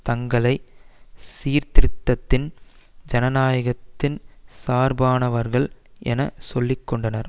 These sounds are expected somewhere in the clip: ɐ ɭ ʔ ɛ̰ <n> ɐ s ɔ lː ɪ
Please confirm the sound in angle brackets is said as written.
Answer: yes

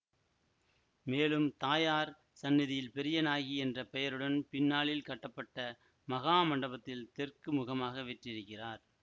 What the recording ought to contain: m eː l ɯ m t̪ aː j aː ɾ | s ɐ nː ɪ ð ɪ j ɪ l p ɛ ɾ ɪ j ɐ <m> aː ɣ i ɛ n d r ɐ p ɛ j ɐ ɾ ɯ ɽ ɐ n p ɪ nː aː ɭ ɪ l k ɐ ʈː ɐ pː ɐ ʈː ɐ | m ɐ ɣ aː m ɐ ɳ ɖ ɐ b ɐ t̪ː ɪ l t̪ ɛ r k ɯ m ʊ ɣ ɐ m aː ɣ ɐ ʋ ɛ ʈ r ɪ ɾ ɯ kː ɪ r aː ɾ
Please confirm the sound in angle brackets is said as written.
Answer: no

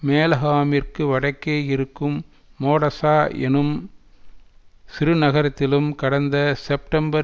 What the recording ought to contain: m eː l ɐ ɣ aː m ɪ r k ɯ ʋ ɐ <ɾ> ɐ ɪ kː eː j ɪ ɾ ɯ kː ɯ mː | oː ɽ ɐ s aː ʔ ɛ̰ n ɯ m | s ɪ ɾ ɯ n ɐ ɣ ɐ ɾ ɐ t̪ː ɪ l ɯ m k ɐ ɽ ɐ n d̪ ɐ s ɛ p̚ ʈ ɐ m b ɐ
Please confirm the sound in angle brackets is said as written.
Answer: no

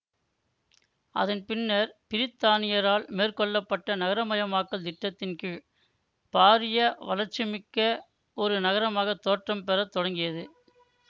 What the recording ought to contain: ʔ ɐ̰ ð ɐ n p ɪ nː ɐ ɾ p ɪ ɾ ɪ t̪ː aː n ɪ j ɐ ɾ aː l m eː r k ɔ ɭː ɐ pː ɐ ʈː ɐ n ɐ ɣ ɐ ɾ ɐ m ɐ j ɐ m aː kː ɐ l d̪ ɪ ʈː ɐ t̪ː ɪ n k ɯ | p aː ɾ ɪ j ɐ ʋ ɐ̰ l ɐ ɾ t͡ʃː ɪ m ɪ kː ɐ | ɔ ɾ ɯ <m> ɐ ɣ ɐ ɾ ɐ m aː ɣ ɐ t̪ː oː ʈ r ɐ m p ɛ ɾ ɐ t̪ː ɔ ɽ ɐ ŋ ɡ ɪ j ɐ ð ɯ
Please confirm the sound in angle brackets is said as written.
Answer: no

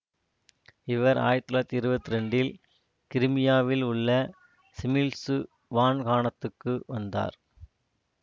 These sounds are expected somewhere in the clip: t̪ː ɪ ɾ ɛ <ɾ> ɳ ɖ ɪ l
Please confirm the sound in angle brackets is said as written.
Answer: no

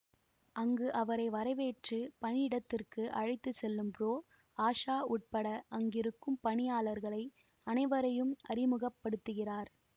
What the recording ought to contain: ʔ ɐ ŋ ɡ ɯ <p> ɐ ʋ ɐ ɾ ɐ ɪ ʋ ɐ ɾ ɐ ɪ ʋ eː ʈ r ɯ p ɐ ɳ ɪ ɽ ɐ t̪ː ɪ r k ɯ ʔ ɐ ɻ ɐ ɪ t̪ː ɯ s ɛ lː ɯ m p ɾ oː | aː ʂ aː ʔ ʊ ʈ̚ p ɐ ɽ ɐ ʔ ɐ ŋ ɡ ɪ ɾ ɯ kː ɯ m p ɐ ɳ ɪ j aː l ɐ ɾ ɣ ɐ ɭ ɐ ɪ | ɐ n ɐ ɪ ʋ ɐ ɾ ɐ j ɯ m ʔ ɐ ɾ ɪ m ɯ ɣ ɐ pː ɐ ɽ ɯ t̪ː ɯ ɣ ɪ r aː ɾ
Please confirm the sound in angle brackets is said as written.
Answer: no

